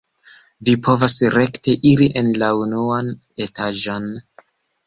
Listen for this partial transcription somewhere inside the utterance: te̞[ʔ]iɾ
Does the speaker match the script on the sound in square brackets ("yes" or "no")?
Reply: yes